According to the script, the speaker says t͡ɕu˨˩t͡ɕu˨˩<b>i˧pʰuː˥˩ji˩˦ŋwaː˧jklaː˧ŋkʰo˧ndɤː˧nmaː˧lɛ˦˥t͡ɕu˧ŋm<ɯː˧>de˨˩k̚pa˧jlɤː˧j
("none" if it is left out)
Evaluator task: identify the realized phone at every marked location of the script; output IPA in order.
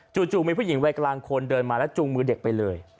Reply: m, ɯː˧

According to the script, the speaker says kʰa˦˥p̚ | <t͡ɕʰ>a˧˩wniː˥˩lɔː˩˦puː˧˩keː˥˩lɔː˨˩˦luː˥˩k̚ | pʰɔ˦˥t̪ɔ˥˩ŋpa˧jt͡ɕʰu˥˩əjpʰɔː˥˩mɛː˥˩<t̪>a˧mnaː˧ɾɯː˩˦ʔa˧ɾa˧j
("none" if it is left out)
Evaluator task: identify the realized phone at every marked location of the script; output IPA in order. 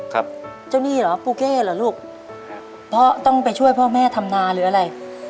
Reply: t͡ɕ, t̪ʰ

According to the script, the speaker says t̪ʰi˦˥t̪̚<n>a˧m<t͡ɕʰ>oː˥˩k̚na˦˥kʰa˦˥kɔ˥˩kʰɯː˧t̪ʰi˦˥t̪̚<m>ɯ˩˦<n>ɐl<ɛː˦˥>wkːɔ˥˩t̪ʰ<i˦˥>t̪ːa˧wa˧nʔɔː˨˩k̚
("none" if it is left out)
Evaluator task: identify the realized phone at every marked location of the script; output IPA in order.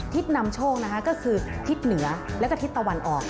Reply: n, t͡ɕʰ, n, none, ɛ˦˥, i˦˥

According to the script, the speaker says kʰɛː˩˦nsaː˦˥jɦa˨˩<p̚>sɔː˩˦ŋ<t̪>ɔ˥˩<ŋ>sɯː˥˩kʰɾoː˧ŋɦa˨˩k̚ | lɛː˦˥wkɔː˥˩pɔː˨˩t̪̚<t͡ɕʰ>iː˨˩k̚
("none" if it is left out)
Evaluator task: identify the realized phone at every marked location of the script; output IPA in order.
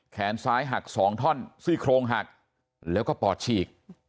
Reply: k̚, t̪ʰ, n, t͡ɕʰ

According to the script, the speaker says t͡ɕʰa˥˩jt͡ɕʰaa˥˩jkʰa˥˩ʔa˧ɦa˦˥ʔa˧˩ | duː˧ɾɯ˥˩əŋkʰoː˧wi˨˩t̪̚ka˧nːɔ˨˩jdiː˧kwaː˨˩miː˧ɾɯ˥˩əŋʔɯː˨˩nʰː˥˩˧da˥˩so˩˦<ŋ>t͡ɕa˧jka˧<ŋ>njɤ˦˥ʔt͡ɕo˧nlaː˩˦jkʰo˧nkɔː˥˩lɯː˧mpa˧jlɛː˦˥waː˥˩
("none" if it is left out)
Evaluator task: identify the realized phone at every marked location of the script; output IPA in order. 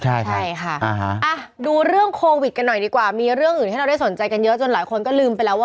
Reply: n, none

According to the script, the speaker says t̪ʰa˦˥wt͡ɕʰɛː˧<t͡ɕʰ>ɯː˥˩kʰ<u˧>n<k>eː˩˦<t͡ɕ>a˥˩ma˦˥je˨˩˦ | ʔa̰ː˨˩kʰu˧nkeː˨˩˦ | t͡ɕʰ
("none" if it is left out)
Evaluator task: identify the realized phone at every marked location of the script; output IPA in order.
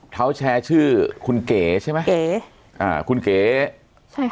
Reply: t͡ɕʰ, u˧, k, t͡ɕʰ

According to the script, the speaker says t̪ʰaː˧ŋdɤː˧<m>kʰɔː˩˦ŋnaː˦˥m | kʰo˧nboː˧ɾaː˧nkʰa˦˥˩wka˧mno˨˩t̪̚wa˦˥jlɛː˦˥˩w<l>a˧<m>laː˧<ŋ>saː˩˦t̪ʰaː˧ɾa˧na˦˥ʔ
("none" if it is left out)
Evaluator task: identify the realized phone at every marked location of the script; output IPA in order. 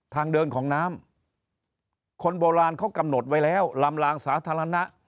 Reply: n, l, m, ŋ

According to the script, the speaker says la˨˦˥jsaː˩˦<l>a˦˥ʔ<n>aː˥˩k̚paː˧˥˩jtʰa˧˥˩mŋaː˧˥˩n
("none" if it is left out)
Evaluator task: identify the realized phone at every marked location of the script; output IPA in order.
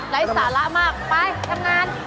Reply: l, m

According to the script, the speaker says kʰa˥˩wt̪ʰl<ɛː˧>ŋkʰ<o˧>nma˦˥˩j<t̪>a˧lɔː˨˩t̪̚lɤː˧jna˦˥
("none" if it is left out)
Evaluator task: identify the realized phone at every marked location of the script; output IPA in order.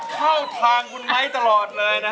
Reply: aː˧, u˧, t̪

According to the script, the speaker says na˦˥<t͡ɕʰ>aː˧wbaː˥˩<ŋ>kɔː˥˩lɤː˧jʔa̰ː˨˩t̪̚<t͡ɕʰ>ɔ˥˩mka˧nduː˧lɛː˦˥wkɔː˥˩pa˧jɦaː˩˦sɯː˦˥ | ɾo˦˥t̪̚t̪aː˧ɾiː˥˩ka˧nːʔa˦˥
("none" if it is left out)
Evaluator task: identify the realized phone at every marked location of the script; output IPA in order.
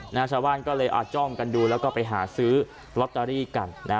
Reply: t͡ɕʰ, n, t͡ɕ

